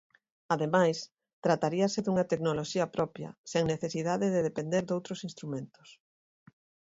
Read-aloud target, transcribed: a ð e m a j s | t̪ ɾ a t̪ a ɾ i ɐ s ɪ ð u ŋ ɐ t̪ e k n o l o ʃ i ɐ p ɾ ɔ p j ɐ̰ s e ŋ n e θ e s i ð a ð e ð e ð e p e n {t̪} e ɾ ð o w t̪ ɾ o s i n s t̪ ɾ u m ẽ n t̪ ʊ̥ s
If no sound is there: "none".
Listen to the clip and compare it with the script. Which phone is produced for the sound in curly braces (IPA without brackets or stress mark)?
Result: d̪